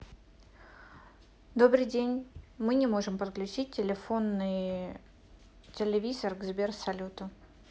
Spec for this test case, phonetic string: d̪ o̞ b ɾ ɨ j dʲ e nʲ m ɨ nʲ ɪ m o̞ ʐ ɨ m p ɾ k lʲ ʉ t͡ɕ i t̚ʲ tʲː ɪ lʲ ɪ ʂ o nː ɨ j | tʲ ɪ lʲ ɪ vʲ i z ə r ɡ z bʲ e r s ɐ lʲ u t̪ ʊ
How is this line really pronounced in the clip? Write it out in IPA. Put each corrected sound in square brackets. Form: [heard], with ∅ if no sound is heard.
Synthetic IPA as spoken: d̪ o̞ b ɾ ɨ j dʲ e nʲ m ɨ nʲ ɪ m o̞ ʐ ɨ m p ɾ k lʲ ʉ t͡ɕ i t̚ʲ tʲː ɪ lʲ ɪ [f] o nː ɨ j | tʲ ɪ lʲ ɪ vʲ i z ə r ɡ z bʲ e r s ɐ lʲ u t̪ ʊ